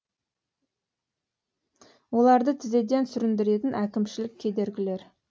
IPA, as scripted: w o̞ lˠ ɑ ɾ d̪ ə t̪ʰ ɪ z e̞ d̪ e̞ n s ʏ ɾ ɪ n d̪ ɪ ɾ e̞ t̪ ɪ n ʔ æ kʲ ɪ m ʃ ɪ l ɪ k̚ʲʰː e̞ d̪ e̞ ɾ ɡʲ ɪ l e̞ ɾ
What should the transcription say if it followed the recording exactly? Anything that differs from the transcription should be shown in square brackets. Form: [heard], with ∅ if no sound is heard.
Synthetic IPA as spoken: w o̞ lˠ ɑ ɾ d̪ ə t̪ʰ ɪ z e̞ d̪ e̞ n s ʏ ɾ ɪ n d̪ ɪ ɾ e̞ t̪ ɪ n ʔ æ kʲ ɪ m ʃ ɪ l ɪ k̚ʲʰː e̞ d̪ e̞ ɾ ɡʲ ɪ l e̞ ɾ

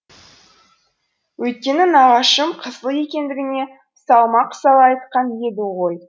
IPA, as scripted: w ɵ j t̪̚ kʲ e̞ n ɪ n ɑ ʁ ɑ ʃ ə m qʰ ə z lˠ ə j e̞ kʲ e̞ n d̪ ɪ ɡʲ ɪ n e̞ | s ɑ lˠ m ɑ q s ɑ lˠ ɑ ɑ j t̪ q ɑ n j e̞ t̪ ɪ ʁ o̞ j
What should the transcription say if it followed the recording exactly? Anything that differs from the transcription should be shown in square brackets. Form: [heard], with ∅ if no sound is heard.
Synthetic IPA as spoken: w ɵ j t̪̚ kʲ e̞ n ɪ n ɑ ʁ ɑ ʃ ə m qʰ ə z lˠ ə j e̞ kʲ e̞ n d̪ ɪ ɡʲ ɪ n e̞ | s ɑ lˠ m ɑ q s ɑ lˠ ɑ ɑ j t̪ q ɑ n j e̞ [d̪] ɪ ʁ o̞ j

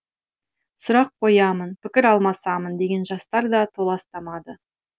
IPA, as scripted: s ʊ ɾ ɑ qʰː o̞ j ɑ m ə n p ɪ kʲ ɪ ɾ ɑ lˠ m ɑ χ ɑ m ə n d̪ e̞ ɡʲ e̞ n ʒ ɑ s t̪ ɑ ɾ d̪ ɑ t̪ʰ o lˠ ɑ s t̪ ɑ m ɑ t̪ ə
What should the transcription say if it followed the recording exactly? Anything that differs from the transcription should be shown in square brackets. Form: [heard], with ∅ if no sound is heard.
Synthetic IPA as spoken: s ʊ ɾ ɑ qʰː o̞ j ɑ m ə n p ɪ kʲ ɪ ɾ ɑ lˠ m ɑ [s] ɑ m ə n d̪ e̞ ɡʲ e̞ n ʒ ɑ s t̪ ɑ ɾ d̪ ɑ t̪ʰ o lˠ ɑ s t̪ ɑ m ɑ [d̪] ə

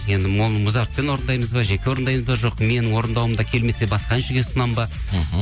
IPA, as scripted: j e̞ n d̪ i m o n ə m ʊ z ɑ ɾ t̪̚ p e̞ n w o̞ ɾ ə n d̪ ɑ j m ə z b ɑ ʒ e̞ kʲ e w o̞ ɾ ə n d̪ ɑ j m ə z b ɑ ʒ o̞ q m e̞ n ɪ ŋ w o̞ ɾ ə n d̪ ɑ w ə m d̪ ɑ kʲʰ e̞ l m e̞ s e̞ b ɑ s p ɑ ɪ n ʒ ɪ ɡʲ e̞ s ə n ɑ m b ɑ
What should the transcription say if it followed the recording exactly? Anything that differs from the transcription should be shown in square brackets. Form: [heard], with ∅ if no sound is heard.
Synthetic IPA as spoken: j e̞ n d̪ [ɪ] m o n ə m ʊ z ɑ ɾ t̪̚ p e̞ n w o̞ ɾ ə n d̪ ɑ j m ə z b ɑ ʒ e̞ kʲ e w o̞ ɾ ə n d̪ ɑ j m ə z b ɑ ʒ o̞ q m e̞ n ɪ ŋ w o̞ ɾ ə n d̪ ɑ w ə m d̪ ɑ kʲʰ e̞ l m e̞ s e̞ b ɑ s [q] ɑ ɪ n [ʃ] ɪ ɡʲ e̞ s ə n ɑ m b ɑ

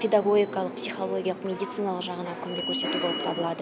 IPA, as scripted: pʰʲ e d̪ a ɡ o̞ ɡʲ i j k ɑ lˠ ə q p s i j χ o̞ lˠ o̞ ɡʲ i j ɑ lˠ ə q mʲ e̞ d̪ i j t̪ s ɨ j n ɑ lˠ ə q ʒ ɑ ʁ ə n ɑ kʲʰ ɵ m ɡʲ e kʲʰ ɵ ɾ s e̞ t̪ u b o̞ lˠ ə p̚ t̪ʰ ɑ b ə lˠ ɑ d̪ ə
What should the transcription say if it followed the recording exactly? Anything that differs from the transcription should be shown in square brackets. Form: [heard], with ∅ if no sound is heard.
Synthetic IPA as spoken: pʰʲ e d̪ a ɡ o̞ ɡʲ i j k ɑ lˠ ə q p s i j χ o̞ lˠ o̞ ɡʲ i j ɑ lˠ ə q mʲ e̞ d̪ i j t̪ s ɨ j n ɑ lˠ ə q ʒ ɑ ʁ ə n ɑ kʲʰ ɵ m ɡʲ e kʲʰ ɵ ɾ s e̞ t̪ u b o̞ lˠ ə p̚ t̪ʰ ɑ b ə lˠ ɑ d̪ ə

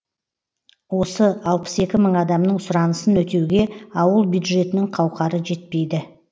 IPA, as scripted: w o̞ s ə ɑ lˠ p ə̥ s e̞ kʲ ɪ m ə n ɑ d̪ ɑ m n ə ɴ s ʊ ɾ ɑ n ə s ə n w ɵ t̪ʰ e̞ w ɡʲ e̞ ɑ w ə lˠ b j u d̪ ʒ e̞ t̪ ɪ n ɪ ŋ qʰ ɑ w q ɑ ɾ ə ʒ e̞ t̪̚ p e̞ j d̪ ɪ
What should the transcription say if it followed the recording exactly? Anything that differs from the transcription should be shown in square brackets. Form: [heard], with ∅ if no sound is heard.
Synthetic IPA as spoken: w o̞ s ə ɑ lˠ p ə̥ s e̞ kʲ ɪ m ə [ɴ] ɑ d̪ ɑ m n ə ɴ s ʊ ɾ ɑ n ə s ə n w ɵ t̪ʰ e̞ w ɡʲ e̞ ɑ w ə lˠ b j u d̪ ʒ e̞ t̪ ɪ n ɪ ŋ qʰ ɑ w q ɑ ɾ ə ʒ e̞ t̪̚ p e̞ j d̪ ɪ

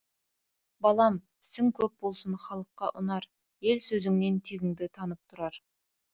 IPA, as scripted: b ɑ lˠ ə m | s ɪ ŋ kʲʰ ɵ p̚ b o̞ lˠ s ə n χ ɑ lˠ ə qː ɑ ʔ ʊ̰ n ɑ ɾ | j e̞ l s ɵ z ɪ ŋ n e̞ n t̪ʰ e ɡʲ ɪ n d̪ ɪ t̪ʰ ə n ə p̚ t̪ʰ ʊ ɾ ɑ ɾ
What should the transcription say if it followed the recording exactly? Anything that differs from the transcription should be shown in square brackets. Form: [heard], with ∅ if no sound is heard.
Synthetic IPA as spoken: b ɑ lˠ [ɑ] m | s ɪ ŋ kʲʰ ɵ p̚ b o̞ lˠ s ə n χ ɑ lˠ ə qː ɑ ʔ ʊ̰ n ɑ ɾ | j e̞ l s ɵ z ɪ ŋ n e̞ n t̪ʰ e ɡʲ ɪ [ŋ] d̪ ɪ t̪ʰ [ɑ] n ə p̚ t̪ʰ ʊ ɾ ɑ ɾ

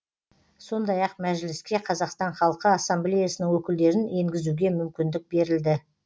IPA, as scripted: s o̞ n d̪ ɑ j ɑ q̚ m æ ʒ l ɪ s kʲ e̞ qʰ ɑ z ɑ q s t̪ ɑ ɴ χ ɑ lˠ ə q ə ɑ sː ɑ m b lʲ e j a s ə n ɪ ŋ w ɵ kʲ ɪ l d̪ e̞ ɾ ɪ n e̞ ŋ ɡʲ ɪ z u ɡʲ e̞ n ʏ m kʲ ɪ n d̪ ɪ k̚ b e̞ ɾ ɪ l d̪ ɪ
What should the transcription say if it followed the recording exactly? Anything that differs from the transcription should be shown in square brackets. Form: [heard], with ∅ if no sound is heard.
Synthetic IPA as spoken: s o̞ n d̪ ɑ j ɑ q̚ m æ ʒ l ɪ s kʲ e̞ qʰ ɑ z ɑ q s t̪ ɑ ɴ χ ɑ lˠ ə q ə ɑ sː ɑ m b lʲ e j a s ə n ɪ ŋ w ɵ kʲ ɪ l d̪ e̞ ɾ ɪ n e̞ ŋ ɡʲ ɪ z u ɡʲ e̞ [m] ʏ m kʲ ɪ n d̪ ɪ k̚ b e̞ ɾ ɪ l d̪ ɪ

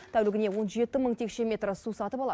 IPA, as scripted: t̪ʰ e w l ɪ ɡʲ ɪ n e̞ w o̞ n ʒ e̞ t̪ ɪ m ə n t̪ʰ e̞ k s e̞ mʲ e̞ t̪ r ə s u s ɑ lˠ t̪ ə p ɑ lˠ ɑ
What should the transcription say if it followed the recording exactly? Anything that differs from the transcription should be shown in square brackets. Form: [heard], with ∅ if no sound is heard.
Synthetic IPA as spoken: t̪ʰ [æ] w l ɪ ɡʲ ɪ n e̞ w o̞ n ʒ e̞ t̪ ɪ m ə [ɴ] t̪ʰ e̞ k [ʃ] e̞ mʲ e̞ t̪ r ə s u s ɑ [∅] t̪ ə p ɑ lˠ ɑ

